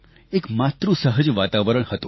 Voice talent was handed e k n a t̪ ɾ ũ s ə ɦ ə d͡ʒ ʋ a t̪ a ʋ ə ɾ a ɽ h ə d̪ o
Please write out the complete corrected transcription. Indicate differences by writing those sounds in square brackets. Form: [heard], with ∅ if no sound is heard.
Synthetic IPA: e k [m] a t̪ ɾ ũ s ə ɦ ə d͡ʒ ʋ a t̪ a ʋ ə ɾ [ə] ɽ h ə [t̪] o